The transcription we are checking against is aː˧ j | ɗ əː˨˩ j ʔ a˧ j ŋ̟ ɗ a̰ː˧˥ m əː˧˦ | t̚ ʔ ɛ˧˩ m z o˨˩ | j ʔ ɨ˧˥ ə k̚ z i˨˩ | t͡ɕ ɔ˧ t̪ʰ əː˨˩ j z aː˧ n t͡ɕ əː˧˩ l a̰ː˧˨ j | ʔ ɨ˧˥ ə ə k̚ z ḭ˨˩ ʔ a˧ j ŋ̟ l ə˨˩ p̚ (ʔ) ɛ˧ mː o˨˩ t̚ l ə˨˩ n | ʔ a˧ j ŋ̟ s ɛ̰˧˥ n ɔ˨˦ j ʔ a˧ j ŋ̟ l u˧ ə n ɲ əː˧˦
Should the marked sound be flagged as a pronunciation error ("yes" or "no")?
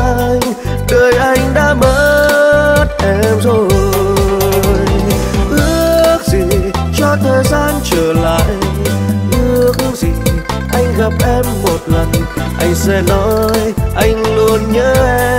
no